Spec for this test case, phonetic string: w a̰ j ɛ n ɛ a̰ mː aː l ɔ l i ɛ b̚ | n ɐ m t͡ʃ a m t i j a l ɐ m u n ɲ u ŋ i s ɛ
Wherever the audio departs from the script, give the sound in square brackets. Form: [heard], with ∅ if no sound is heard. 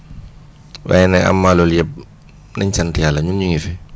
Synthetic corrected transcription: w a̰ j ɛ n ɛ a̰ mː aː l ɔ l [j] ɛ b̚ | n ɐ [ɲ] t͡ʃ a [n] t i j a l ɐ [ɲ] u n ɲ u ŋ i [f] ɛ